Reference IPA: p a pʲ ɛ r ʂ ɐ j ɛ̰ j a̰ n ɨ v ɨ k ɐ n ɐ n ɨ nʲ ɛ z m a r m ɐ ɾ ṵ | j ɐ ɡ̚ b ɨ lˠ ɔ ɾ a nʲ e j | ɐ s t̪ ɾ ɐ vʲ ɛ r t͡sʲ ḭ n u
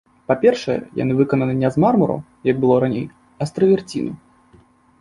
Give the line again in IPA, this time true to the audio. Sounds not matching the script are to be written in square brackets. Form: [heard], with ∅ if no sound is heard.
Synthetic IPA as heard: p a pʲ ɛ r ʂ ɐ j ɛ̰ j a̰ n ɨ v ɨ k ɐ n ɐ n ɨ nʲ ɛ z m a r m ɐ ɾ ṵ | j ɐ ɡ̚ b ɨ lˠ ɔ ɾ a nʲ e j | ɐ s t̪ ɾ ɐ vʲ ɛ r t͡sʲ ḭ n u

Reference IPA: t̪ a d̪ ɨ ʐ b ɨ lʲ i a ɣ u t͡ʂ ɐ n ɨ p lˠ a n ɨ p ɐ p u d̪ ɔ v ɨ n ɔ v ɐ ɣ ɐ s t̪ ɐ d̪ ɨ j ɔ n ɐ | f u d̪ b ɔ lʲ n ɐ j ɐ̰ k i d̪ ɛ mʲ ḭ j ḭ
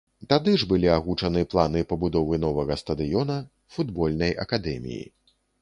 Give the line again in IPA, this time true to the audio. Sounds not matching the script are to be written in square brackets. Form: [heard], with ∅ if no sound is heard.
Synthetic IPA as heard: t̪ a d̪ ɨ ʐ b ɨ lʲ i a ɣ u t͡ʂ ɐ n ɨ p lˠ a n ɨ p ɐ [b] u d̪ ɔ v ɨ n ɔ v ɐ ɣ ɐ s t̪ ɐ d̪ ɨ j ɔ n ɐ | f u d̪ b ɔ lʲ n ɐ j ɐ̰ k [a] d̪ ɛ mʲ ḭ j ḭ

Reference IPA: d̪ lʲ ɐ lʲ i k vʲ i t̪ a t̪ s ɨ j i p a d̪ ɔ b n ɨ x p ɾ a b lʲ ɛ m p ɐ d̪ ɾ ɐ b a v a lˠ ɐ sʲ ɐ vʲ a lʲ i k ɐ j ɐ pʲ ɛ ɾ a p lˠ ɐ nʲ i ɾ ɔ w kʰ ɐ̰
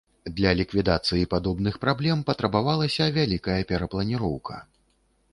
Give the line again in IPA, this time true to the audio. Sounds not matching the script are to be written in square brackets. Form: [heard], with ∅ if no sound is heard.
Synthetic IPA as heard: d̪ lʲ ɐ lʲ i k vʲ i [d̪] a t̪ s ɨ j i p a d̪ ɔ b n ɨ x p ɾ a b lʲ ɛ m p ɐ [t̪] ɾ ɐ b a v a lˠ ɐ sʲ ɐ vʲ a lʲ i k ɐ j ɐ pʲ ɛ ɾ [ɐ] p lˠ ɐ nʲ i ɾ ɔ w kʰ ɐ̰

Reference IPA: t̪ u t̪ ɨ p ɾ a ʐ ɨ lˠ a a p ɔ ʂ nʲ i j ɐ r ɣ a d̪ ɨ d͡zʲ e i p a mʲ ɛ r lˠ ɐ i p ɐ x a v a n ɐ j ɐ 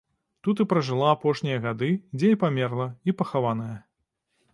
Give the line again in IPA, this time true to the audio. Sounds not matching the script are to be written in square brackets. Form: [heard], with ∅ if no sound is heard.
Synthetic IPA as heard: t̪ u t̪ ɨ p ɾ [ɐ] ʐ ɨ lˠ a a p ɔ ʂ nʲ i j ɐ [∅] ɣ a d̪ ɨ d͡zʲ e i p a mʲ ɛ r lˠ ɐ i p ɐ x a v a n ɐ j ɐ

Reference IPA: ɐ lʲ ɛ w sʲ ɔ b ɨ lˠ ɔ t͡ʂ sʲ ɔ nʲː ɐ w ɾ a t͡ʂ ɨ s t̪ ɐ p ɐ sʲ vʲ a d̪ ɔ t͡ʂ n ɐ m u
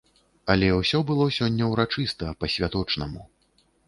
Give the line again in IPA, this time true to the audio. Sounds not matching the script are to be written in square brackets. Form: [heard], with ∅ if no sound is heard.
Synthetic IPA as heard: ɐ lʲ ɛ w sʲ ɔ b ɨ lˠ ɔ [∅] sʲ ɔ nʲː ɐ w ɾ a t͡ʂ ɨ s t̪ ɐ p ɐ sʲ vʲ a [t̪] ɔ t͡ʂ n ɐ m u

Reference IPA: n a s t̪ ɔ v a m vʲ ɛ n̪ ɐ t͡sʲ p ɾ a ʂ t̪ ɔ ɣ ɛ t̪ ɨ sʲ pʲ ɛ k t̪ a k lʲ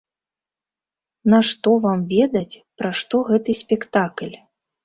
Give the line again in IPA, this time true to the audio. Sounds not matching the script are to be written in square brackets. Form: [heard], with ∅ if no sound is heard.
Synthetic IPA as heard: n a [ʂ] t̪ ɔ v a m vʲ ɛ [d̪] ɐ t͡sʲ p ɾ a ʂ t̪ ɔ ɣ ɛ t̪ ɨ sʲ pʲ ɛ k t̪ a k lʲ

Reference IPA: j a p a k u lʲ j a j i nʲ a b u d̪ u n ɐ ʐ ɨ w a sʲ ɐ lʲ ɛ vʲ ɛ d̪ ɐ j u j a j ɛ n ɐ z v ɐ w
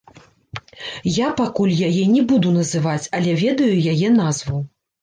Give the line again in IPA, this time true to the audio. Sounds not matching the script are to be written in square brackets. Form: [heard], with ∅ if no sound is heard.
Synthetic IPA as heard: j a p a k u lʲ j a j [ɛ] nʲ [ɛ] b u d̪ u n ɐ [z] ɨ [v] a [t͡sʲ] ɐ lʲ ɛ vʲ ɛ d̪ ɐ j u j a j ɛ n [a] z v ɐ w

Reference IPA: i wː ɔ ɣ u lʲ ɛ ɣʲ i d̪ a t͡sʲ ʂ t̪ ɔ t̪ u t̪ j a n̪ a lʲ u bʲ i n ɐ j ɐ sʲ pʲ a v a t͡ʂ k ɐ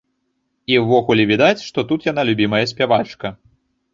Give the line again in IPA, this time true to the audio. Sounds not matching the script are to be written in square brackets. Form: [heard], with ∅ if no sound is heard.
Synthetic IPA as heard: i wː ɔ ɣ u lʲ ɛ [vʲ] i d̪ a t͡sʲ ʂ t̪ ɔ t̪ u t̪ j a n̪ a lʲ u bʲ i [m] ɐ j ɐ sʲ pʲ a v a t͡ʂ k ɐ

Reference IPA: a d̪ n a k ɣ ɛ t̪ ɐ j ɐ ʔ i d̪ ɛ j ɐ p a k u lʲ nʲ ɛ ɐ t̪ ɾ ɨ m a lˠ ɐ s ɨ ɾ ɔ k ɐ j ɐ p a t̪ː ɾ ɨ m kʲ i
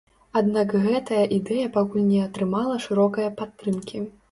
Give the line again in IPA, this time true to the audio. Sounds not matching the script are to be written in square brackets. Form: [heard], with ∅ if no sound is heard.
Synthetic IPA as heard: a d̪ n a k ɣ ɛ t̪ ɐ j ɐ ʔ i d̪ ɛ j ɐ p a k u lʲ nʲ ɛ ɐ t̪ ɾ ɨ m a lˠ ɐ [ʂ] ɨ ɾ ɔ k ɐ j ɐ p a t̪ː ɾ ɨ m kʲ i

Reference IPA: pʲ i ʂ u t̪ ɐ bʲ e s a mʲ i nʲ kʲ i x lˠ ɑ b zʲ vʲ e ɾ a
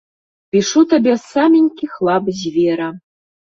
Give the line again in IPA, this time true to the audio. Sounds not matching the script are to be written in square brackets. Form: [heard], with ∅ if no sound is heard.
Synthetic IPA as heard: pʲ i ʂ u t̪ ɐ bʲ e s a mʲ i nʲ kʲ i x lˠ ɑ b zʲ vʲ e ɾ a

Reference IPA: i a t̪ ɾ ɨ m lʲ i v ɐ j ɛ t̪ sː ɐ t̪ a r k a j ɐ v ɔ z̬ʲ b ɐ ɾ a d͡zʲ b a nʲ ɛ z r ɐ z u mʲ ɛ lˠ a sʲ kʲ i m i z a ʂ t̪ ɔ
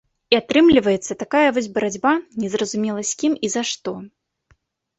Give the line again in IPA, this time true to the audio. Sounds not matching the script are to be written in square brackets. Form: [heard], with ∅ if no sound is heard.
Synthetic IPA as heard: i a t̪ ɾ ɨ m lʲ i v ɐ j ɛ t̪ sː ɐ t̪ a [∅] k a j ɐ v ɔ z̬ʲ b ɐ ɾ a d͡zʲ b a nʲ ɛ z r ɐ z u mʲ ɛ lˠ [ɐ] sʲ kʲ i m i z a ʂ t̪ ɔ

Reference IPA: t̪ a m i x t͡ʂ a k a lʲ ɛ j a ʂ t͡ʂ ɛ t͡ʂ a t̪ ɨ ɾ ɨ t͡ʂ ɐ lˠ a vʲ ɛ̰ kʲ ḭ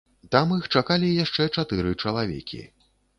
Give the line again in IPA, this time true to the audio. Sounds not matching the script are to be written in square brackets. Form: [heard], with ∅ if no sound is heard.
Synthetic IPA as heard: t̪ a m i x t͡ʂ a k a lʲ [i] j a ʂ t͡ʂ ɛ t͡ʂ a t̪ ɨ ɾ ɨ t͡ʂ ɐ lˠ a vʲ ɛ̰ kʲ ḭ

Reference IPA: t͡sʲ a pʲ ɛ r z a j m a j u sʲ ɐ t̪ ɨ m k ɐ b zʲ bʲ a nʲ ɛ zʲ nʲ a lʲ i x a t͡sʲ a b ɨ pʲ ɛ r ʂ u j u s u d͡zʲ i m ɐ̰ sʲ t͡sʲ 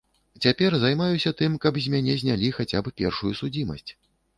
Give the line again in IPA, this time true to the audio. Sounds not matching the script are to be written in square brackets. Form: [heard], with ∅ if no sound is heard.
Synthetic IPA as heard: t͡sʲ a pʲ ɛ r z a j m a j u sʲ ɐ t̪ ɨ m k ɐ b zʲ [mʲ] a nʲ ɛ zʲ nʲ a lʲ i x a t͡sʲ a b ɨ pʲ ɛ r ʂ u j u s u d͡zʲ i m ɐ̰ sʲ t͡sʲ

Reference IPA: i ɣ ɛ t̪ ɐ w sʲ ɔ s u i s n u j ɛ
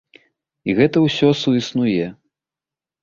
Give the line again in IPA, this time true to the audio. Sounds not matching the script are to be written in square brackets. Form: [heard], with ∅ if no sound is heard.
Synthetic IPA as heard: i ɣ ɛ t̪ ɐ w sʲ ɔ s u i s n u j ɛ

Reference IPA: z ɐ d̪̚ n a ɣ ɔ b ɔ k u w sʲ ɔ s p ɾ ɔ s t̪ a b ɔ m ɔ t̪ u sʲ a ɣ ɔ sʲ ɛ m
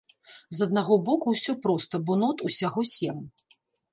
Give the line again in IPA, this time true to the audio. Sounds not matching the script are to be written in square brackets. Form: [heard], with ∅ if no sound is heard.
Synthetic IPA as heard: z ɐ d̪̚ n a ɣ ɔ b ɔ k u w sʲ ɔ [∅] p ɾ ɔ s t̪ [ɐ] b ɔ [n] ɔ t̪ u sʲ a ɣ ɔ sʲ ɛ m

